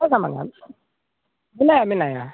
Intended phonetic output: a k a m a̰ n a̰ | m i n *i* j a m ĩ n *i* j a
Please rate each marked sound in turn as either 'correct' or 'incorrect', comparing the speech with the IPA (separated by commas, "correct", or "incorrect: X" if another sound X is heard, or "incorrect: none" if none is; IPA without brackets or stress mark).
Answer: incorrect: a, incorrect: a